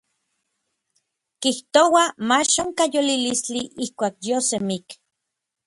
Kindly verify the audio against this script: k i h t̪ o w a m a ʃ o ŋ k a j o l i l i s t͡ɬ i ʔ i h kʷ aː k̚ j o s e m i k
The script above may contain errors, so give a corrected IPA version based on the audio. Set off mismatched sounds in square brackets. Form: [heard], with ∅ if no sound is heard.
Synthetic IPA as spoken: k i h t̪ o w a m a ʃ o ŋ k a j o l i l i s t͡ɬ i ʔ i h kʷ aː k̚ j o s e m i k